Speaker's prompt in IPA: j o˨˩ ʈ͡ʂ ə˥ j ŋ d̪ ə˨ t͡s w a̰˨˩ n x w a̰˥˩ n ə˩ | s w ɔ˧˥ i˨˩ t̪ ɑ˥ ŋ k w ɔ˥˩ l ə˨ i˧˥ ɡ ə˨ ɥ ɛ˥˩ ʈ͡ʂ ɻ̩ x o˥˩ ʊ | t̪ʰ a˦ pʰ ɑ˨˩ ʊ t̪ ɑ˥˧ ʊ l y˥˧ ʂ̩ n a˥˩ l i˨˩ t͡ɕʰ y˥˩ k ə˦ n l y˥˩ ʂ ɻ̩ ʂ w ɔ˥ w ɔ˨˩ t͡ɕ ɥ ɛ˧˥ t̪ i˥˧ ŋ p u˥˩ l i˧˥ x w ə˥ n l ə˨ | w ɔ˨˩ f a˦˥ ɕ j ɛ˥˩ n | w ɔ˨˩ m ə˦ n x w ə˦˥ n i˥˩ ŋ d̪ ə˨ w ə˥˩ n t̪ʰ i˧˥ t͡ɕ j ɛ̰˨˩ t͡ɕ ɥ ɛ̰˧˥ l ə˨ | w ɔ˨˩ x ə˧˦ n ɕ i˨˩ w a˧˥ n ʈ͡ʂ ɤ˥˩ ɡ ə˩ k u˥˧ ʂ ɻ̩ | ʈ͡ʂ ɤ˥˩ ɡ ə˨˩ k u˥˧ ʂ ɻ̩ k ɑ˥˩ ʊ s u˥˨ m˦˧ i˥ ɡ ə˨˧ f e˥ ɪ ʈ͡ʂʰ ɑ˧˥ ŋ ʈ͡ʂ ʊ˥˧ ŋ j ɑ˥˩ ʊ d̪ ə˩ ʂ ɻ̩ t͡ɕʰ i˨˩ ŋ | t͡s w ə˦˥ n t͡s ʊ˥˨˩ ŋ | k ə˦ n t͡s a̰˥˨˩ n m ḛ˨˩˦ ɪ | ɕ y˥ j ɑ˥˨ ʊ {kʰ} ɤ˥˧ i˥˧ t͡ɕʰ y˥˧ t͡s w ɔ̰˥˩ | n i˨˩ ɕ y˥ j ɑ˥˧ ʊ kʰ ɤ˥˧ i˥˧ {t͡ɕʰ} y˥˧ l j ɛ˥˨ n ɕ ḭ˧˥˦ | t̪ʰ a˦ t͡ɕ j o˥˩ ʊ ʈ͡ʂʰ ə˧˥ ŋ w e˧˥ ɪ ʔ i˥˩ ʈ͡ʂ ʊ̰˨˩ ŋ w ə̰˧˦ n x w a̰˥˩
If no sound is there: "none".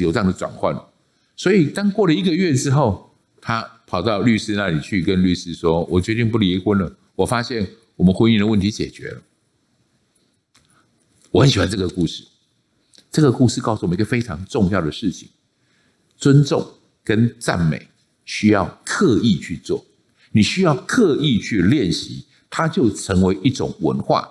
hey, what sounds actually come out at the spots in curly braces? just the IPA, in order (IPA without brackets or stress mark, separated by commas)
kʰ, t͡ɕʰ